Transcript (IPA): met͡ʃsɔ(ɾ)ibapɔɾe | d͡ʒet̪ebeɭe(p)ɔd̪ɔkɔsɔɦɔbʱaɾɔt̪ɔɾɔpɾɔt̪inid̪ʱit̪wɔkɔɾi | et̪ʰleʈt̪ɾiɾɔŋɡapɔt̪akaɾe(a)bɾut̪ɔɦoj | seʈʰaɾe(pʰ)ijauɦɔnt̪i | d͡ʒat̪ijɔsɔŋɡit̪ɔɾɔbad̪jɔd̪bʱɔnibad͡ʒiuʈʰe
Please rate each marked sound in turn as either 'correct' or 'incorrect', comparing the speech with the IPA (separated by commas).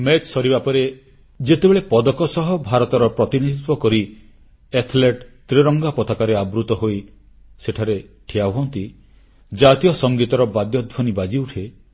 correct, correct, correct, incorrect